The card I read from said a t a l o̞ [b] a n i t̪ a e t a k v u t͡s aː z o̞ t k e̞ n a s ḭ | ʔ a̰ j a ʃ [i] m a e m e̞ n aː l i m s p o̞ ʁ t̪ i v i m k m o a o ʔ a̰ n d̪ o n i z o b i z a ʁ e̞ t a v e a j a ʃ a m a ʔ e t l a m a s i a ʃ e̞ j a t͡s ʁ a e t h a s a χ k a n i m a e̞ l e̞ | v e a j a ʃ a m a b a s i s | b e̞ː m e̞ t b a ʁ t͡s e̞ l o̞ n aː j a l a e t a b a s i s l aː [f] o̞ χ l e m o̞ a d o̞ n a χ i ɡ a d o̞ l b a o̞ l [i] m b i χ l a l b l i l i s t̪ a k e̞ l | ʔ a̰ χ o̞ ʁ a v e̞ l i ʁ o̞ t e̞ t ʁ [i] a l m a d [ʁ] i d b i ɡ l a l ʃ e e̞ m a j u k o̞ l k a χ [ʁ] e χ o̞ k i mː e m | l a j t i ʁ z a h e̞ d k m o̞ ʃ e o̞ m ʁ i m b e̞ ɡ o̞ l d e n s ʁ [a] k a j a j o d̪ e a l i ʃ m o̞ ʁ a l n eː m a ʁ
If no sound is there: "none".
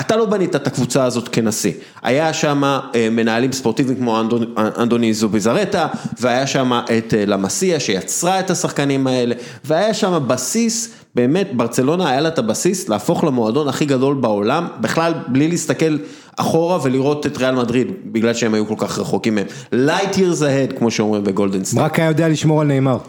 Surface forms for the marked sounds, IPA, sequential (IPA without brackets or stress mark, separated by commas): b, a, f, a, e, ʁ, ʁ, a